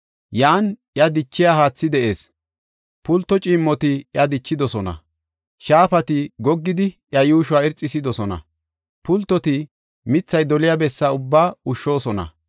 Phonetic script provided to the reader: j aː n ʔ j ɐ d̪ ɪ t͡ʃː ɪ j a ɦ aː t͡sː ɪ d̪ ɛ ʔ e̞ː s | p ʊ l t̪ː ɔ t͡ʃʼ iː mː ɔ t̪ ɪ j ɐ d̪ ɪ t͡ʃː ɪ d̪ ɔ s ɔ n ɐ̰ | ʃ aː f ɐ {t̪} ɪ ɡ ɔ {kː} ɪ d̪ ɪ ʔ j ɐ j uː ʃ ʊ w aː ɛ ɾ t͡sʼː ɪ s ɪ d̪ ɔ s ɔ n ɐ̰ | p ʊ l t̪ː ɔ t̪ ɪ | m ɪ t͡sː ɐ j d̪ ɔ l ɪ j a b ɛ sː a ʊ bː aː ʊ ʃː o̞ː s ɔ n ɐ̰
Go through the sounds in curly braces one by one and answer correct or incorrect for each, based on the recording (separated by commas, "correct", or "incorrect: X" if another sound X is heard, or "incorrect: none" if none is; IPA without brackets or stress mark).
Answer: correct, incorrect: ɡː